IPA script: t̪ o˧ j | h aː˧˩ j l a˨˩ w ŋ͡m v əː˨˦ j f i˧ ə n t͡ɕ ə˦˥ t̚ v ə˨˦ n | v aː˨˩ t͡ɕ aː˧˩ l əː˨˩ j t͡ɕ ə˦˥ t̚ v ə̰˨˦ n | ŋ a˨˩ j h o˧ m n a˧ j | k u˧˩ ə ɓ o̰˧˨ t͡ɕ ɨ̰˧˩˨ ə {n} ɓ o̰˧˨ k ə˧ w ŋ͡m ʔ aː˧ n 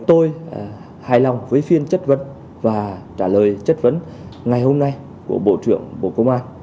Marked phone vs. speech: incorrect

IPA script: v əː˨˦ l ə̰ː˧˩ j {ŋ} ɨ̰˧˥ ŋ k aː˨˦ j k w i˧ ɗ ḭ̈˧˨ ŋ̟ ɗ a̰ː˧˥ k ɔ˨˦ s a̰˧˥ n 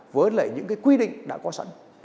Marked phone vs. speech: incorrect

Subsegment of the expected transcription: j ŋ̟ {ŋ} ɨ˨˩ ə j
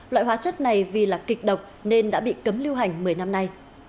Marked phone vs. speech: incorrect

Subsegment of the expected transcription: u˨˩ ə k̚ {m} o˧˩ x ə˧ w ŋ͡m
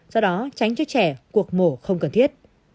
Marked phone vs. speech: correct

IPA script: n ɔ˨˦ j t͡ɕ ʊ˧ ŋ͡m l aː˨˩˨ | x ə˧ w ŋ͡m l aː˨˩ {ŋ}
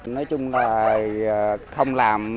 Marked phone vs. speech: incorrect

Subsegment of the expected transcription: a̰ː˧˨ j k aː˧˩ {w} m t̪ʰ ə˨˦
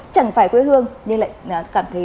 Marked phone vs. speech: incorrect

